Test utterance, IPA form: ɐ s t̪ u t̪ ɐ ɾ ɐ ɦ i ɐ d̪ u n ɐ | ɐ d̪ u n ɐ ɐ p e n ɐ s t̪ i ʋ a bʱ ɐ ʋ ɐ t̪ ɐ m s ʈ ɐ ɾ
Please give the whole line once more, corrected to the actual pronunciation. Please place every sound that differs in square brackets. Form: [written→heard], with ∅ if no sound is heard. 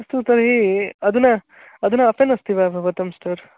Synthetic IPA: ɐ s t̪ u t̪ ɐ ɾ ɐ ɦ i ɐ d̪ u n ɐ | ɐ d̪ u n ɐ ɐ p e n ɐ s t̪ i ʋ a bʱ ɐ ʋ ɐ t̪ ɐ m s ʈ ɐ ɾ